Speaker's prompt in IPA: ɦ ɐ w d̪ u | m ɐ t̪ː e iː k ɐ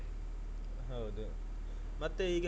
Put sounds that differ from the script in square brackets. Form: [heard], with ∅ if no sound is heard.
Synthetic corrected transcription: ɦ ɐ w d̪ u | m ɐ t̪ː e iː [ɡ] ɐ

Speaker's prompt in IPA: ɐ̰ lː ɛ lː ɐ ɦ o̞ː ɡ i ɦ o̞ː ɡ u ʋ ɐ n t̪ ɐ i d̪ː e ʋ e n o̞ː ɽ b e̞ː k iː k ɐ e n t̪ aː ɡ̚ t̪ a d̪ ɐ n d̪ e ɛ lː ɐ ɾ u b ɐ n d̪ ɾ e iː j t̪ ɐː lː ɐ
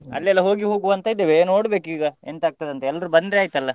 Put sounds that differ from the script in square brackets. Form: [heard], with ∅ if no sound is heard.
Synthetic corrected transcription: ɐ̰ lː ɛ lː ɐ ɦ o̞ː ɡ i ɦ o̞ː ɡ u ʋ ɐ n t̪ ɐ i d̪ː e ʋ e n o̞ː ɽ b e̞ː k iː [ɡ] ɐ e n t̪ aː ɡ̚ t̪ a d̪ ɐ n [t̪] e ɛ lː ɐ ɾ u b ɐ n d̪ ɾ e [aː] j t̪ [ɐ] lː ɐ

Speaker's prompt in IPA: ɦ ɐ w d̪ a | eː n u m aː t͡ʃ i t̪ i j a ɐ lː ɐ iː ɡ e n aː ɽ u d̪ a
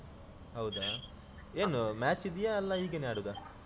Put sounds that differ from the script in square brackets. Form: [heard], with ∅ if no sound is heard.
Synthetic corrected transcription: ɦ ɐ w d̪ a | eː n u m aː t͡ʃ i [d̪] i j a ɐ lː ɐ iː ɡ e n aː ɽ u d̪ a

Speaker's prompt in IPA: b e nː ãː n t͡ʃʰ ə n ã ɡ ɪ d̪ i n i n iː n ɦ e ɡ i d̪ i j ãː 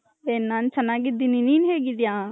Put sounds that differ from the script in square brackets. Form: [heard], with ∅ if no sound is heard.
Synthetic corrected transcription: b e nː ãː n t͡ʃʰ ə n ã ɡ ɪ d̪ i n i n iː n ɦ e ɡ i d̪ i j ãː

